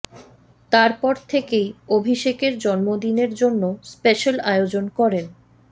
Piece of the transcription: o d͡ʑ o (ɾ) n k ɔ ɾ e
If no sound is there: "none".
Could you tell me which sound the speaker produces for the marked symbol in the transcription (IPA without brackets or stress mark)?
none